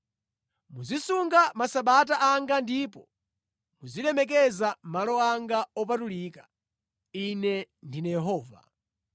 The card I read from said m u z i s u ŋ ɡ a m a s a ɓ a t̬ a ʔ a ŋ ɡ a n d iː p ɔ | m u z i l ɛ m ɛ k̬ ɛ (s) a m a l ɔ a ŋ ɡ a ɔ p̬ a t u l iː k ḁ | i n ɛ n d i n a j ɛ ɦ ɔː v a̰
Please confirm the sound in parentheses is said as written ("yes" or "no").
no